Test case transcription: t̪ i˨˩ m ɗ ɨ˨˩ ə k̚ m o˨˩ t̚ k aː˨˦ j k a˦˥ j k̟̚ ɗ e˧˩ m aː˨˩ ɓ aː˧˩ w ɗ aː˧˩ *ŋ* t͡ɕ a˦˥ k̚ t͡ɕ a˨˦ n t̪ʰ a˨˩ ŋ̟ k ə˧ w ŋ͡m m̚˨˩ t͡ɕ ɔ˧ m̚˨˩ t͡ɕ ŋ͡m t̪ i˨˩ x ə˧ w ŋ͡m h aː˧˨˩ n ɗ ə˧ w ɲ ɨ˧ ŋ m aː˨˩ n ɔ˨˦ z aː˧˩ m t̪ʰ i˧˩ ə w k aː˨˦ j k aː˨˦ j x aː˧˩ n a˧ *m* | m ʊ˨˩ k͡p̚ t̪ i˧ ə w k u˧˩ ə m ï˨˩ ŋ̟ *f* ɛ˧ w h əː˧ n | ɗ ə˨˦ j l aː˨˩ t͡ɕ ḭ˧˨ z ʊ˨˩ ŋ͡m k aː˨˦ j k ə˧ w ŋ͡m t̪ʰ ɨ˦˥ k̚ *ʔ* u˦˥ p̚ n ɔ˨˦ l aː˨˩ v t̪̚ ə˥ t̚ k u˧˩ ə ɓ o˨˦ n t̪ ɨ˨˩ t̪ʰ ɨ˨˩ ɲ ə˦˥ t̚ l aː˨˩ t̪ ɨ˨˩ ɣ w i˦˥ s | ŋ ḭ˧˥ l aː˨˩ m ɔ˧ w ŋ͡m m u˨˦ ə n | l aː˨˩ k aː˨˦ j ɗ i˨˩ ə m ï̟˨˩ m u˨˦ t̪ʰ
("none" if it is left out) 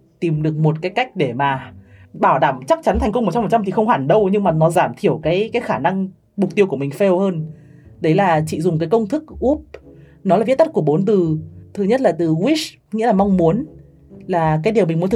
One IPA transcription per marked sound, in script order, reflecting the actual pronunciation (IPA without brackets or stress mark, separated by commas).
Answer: m, ŋ, f, ʔ